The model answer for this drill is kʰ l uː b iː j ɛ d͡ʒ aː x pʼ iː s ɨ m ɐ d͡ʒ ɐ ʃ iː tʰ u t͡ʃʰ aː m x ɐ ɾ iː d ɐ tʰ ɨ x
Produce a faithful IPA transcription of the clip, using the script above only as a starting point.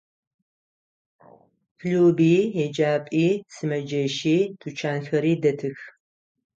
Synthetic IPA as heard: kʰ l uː b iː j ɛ d͡ʒ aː pʼ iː s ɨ m ɐ d͡ʒ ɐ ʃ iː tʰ u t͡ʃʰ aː n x ɐ ɾ iː d ɐ tʰ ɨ x